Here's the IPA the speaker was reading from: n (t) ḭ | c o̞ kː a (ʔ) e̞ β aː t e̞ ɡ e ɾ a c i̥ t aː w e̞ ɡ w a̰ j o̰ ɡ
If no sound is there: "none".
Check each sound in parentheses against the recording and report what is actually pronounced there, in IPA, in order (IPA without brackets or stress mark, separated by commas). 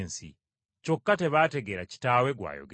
s, t